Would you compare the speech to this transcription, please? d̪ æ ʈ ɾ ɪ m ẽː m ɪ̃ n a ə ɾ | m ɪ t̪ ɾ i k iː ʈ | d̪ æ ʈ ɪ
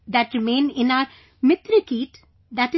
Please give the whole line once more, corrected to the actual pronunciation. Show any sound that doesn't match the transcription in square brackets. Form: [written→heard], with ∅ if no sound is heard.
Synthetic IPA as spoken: d̪ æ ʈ ɾ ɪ m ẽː [m→n] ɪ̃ n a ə ɾ | m ɪ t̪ ɾ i k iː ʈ | d̪ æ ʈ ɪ